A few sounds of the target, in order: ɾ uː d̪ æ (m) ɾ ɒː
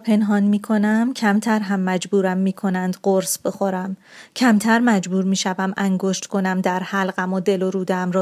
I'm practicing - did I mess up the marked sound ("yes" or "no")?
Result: no